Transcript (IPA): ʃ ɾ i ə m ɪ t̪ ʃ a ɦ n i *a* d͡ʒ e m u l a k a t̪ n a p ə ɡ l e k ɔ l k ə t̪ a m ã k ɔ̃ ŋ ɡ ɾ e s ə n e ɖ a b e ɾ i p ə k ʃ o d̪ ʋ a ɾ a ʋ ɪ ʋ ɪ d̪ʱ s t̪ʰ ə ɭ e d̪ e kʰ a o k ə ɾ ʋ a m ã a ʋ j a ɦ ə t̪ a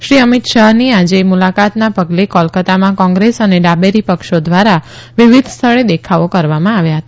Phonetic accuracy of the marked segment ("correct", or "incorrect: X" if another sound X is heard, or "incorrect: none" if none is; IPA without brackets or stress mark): correct